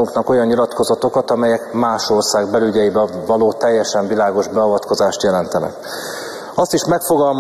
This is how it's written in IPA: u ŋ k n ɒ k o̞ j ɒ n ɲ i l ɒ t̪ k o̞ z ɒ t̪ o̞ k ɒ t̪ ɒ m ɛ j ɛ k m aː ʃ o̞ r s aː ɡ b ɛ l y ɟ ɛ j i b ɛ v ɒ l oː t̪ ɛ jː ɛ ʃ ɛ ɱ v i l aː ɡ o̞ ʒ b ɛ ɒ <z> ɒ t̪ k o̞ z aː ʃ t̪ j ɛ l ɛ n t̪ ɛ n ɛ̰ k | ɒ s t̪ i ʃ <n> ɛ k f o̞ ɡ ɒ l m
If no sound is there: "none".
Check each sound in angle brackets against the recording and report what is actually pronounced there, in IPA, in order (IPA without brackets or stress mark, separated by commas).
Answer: v, m